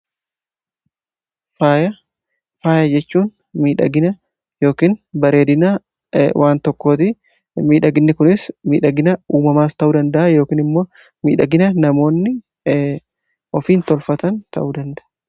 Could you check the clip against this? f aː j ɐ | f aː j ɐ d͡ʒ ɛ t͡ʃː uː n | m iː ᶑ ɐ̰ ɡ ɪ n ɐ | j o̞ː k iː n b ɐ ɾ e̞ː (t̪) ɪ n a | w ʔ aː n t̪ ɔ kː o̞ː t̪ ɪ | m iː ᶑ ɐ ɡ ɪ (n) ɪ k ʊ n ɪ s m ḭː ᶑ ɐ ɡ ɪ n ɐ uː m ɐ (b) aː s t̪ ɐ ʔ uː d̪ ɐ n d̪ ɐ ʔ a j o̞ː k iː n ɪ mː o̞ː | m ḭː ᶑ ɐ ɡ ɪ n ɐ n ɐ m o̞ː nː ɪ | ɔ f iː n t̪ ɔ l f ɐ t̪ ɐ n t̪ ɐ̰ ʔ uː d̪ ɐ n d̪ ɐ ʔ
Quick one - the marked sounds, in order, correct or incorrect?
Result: incorrect, incorrect, incorrect

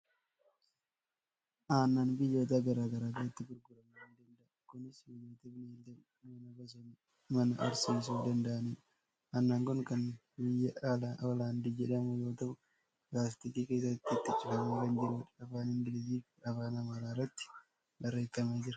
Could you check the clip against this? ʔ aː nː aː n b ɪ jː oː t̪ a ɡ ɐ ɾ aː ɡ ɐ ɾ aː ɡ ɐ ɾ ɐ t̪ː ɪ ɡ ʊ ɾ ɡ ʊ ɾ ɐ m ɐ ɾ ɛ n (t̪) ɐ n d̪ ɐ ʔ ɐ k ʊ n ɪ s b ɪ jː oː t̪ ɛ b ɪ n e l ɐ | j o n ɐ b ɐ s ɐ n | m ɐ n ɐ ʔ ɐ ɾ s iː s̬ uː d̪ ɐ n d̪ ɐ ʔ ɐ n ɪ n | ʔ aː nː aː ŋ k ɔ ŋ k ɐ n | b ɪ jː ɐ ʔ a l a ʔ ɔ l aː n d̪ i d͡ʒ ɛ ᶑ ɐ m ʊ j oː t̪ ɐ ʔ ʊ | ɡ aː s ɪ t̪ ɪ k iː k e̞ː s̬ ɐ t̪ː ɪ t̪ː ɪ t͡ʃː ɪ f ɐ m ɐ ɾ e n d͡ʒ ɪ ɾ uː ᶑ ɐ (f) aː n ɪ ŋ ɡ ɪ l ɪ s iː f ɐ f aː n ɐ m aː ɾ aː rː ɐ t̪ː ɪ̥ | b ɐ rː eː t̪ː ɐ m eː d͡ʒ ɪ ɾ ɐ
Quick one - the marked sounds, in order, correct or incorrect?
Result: incorrect, correct

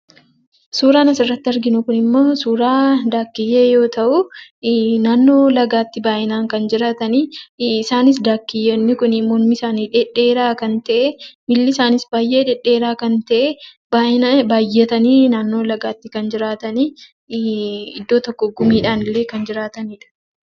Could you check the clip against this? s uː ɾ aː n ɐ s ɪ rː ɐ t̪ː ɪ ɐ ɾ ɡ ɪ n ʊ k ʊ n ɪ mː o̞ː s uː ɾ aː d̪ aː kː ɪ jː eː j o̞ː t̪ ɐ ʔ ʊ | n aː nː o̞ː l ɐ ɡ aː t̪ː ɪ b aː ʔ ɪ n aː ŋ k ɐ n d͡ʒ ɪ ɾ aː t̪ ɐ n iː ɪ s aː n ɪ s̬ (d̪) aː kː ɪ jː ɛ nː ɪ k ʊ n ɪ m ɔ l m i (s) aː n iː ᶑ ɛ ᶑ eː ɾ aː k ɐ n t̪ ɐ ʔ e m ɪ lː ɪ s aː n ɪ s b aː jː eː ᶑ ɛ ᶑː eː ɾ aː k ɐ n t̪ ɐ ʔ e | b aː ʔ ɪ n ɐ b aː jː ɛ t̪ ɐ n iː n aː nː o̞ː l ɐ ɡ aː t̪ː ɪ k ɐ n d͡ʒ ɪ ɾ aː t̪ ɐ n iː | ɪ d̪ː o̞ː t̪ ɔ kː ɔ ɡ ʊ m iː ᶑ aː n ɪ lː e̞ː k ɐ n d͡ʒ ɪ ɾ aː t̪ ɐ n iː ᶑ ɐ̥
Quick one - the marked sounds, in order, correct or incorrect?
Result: correct, correct

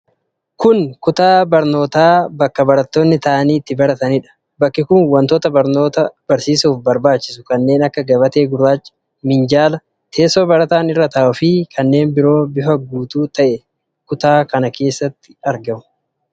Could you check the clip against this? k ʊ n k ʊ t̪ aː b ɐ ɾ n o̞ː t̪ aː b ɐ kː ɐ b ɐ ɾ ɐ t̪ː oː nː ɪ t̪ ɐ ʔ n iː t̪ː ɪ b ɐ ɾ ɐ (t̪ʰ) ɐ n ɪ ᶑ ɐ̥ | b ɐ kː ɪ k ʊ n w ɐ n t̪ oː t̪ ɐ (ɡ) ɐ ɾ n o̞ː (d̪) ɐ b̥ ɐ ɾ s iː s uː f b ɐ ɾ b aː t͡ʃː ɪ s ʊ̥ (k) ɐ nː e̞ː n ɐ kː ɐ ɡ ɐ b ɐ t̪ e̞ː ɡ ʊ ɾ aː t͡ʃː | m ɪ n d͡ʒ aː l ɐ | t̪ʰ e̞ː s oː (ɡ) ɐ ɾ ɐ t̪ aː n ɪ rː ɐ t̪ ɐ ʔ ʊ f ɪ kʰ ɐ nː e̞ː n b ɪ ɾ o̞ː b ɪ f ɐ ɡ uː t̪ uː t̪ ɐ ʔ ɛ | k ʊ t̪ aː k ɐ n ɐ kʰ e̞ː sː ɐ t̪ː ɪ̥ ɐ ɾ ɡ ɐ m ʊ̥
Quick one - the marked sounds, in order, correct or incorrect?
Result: incorrect, incorrect, incorrect, correct, incorrect

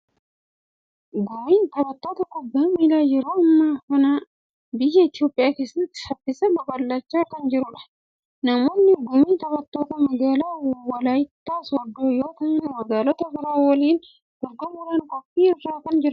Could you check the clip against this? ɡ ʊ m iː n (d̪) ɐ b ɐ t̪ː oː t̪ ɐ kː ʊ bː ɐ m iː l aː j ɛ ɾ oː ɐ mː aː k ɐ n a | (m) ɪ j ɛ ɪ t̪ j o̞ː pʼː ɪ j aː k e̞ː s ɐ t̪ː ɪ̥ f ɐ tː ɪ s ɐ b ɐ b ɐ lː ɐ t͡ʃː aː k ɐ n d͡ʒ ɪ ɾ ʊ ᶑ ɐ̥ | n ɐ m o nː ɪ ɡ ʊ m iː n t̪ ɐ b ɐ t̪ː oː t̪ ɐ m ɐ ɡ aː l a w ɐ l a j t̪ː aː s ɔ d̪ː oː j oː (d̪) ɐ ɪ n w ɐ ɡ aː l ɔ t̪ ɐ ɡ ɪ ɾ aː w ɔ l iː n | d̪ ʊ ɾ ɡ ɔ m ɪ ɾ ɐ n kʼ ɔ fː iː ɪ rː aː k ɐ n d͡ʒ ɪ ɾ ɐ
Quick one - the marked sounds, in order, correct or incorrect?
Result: incorrect, incorrect, incorrect

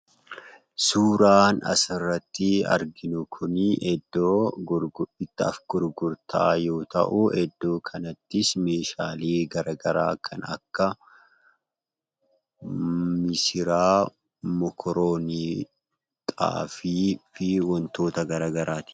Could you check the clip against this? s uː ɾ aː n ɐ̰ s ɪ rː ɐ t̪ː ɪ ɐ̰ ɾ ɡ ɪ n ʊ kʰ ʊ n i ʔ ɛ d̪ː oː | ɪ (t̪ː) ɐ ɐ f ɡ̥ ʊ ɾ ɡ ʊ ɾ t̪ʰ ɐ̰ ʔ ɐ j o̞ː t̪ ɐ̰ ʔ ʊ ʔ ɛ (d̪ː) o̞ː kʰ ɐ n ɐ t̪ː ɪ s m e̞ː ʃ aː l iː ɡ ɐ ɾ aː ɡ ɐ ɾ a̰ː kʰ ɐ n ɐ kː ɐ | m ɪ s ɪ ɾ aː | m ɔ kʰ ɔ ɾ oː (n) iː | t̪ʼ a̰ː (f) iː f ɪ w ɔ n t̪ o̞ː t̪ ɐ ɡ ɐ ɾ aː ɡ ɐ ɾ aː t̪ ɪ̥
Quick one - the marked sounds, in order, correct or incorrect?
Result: correct, correct, correct, correct

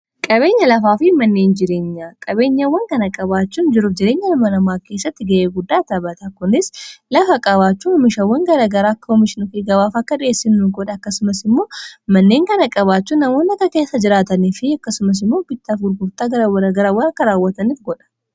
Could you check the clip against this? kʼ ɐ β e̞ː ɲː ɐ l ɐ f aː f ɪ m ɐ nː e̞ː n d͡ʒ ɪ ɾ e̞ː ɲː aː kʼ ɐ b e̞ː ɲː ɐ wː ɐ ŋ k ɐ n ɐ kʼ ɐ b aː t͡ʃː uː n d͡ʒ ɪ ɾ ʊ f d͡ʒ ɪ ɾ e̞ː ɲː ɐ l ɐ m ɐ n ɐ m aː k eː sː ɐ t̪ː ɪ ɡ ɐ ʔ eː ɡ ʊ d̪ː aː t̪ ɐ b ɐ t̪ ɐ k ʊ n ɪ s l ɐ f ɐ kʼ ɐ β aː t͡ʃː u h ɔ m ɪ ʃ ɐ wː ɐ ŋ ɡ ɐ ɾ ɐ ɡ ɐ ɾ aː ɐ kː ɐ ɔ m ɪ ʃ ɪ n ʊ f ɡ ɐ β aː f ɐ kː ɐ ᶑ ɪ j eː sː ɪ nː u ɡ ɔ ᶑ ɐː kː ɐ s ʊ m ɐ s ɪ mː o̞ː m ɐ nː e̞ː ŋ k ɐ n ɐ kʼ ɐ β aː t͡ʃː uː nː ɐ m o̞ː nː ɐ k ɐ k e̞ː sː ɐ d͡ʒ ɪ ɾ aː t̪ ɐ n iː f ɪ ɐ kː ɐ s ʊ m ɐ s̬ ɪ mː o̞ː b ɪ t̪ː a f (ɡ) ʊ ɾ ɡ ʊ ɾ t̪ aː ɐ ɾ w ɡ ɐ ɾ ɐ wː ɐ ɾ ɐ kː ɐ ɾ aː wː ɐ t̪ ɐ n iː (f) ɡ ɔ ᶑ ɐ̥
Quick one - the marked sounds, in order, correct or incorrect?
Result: correct, correct

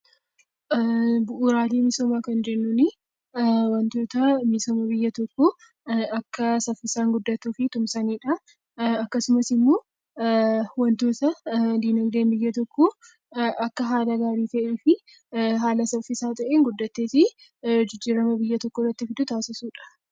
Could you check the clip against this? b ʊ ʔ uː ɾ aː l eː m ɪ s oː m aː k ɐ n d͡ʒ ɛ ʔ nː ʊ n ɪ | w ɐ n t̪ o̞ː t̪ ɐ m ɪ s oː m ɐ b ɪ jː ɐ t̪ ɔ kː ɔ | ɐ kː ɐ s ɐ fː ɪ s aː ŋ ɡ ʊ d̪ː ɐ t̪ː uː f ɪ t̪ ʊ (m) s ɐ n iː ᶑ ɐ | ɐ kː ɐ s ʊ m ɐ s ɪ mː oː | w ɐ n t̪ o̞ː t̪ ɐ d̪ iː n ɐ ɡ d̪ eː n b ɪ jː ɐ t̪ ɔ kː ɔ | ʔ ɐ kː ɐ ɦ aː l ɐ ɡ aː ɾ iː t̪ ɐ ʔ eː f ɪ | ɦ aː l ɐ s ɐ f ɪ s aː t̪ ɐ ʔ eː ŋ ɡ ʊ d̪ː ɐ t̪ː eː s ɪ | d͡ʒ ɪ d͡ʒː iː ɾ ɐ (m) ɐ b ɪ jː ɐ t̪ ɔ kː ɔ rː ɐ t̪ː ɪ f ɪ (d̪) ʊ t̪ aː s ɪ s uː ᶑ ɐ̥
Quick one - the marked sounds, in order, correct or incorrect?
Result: correct, correct, correct

